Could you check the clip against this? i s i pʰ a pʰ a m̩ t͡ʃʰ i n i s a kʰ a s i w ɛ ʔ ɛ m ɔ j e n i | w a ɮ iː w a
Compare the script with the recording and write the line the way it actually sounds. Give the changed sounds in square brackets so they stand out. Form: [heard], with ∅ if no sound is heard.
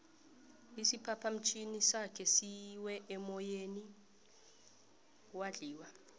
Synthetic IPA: i s i pʰ a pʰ a m̩ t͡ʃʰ i n i s a kʰ [ɛ] s i w ɛ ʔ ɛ m ɔ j e n i | w a ɮ iː w a